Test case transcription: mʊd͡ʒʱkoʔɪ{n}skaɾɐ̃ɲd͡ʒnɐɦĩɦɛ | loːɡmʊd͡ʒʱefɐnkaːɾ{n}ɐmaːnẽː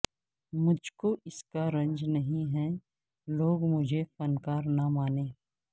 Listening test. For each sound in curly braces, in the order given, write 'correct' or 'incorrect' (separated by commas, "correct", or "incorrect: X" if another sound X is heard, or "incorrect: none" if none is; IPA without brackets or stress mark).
incorrect: none, correct